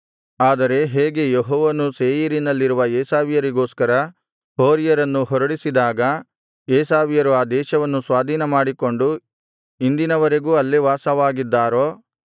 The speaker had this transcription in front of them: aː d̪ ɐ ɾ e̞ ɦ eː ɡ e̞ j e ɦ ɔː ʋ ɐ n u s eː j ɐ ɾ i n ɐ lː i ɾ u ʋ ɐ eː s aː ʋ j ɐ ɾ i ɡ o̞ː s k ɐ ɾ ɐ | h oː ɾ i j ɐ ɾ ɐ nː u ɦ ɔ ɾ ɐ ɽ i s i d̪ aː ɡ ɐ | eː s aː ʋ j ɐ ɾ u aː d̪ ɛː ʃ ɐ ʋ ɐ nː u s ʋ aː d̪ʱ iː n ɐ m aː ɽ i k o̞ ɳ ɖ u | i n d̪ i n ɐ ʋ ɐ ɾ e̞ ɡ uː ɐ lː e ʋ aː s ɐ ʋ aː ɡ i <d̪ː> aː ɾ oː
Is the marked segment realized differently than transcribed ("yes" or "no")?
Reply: no